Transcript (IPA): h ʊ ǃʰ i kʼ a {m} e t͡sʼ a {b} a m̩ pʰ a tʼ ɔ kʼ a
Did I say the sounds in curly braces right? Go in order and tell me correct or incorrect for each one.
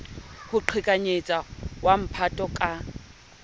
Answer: incorrect, incorrect

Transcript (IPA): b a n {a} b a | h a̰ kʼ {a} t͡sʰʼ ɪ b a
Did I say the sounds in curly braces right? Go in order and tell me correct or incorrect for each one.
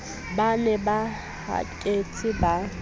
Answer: incorrect, incorrect

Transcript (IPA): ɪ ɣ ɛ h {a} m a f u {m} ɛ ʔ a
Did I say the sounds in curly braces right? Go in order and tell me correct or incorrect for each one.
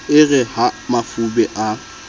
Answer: correct, incorrect

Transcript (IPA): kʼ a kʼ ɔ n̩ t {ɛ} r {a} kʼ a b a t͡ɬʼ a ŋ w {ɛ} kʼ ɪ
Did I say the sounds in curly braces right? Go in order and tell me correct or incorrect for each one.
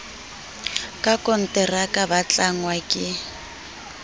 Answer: correct, correct, incorrect

